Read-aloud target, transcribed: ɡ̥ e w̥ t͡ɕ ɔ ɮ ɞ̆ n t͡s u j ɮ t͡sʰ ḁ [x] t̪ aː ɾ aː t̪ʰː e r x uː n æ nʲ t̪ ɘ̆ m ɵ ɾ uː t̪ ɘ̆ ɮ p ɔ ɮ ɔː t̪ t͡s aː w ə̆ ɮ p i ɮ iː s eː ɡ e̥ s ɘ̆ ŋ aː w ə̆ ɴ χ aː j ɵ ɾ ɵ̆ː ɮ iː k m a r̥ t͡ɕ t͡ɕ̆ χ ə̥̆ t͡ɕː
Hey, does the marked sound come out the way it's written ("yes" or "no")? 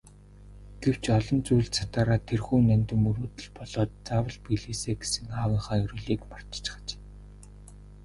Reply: no